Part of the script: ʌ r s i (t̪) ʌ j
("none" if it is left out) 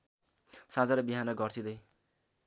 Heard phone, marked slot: d̪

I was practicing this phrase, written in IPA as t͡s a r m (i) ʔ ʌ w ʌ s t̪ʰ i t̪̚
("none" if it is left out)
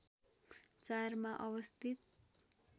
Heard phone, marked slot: a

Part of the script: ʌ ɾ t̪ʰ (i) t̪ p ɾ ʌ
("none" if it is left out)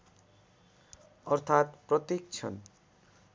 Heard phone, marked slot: a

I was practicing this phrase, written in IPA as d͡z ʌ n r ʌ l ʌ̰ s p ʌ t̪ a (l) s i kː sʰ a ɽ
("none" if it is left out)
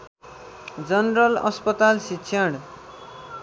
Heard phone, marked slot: l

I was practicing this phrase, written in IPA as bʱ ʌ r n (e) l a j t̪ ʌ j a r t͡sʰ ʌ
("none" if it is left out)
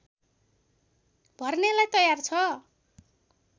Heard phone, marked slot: e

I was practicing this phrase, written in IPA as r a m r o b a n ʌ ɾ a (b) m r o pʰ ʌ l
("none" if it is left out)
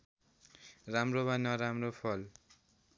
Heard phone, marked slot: none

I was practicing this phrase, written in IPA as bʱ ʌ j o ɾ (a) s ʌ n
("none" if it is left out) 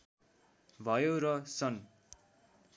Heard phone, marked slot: ʌ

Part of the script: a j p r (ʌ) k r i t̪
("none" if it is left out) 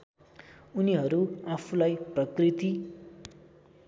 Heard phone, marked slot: ʌ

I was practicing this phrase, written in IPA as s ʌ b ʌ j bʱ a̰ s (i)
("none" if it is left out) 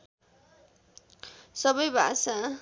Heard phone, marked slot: a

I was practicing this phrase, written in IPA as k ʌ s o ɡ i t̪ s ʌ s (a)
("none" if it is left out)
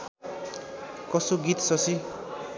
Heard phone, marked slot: i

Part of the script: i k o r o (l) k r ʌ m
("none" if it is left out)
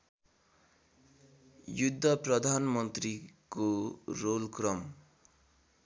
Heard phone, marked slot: l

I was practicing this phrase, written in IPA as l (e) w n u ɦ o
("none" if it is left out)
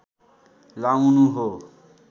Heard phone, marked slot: a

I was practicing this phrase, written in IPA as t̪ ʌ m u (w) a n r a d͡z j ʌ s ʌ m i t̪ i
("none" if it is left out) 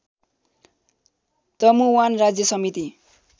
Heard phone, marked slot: w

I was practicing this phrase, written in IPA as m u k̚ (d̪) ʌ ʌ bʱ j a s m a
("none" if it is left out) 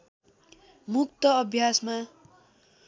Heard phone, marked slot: t̪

